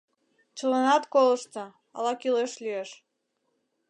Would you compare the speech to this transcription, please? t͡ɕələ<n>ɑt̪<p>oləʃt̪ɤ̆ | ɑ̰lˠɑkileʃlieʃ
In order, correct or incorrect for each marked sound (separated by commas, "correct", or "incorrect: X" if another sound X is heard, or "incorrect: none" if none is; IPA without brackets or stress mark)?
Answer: correct, incorrect: k